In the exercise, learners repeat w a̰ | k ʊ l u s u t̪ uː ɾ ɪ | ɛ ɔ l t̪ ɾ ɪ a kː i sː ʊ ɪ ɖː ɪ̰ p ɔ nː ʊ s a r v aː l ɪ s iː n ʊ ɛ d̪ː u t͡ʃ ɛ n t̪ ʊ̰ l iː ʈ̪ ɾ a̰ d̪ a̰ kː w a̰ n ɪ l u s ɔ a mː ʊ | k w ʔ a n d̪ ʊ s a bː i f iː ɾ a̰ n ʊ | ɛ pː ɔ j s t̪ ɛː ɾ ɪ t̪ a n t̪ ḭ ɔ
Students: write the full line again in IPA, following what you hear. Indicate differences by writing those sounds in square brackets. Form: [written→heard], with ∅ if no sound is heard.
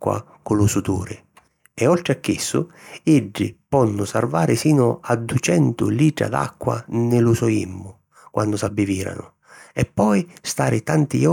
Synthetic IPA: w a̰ | k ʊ l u s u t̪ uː ɾ ɪ | ɛ ɔ l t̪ ɾ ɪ a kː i sː ʊ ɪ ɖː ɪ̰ p ɔ nː ʊ s a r v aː [l→ɾ] ɪ s iː n ʊ [ɛ→a] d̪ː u t͡ʃ ɛ n t̪ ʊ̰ l iː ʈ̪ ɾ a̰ d̪ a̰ kː w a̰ n ɪ l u s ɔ [a→i] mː ʊ | k w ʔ a n d̪ ʊ s a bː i [f→v] iː ɾ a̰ n ʊ | ɛ pː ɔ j s t̪ [ɛː→aː] ɾ ɪ t̪ a n t̪ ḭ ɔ